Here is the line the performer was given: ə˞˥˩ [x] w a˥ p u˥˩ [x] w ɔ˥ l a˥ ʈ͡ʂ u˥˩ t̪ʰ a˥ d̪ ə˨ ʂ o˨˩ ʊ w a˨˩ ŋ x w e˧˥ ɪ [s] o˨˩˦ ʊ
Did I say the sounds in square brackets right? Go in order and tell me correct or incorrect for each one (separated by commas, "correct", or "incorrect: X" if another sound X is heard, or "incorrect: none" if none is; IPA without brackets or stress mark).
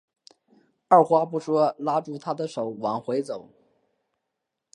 correct, incorrect: ʂ, incorrect: t͡s